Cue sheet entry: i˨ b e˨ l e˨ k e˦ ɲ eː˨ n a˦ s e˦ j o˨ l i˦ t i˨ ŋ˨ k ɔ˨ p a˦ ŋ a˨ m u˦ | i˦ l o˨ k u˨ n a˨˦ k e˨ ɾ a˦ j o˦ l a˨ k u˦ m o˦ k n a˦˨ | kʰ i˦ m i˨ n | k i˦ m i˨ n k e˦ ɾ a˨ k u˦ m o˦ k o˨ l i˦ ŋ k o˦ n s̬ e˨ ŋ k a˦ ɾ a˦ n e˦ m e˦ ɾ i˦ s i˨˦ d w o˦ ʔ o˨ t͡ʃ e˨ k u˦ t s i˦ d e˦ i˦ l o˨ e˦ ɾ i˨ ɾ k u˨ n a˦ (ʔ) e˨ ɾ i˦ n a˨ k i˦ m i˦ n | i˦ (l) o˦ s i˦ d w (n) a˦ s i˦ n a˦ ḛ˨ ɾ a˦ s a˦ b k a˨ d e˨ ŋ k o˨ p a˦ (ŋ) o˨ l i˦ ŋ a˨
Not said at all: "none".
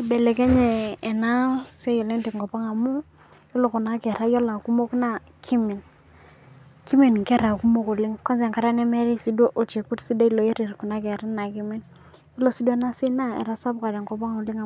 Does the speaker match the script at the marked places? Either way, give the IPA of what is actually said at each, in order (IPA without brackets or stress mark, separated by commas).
k, l, n, ŋ